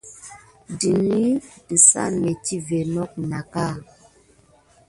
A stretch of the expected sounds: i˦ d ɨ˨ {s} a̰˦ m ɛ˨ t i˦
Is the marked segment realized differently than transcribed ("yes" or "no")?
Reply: no